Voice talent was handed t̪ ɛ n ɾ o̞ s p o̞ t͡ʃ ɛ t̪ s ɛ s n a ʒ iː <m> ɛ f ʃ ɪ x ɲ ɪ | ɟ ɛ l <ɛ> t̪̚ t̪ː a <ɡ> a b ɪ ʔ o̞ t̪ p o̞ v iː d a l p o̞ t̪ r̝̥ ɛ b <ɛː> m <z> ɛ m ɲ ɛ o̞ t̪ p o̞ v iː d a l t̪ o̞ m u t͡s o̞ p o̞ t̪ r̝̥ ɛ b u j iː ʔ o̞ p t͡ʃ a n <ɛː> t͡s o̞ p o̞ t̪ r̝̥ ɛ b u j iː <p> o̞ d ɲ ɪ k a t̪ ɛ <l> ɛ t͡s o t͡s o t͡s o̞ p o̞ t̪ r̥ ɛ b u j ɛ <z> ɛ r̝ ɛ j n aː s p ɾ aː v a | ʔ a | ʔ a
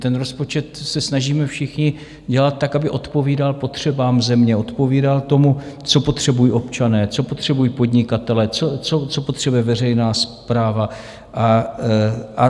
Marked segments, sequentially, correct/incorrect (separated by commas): correct, incorrect, incorrect, incorrect, correct, correct, correct, correct, incorrect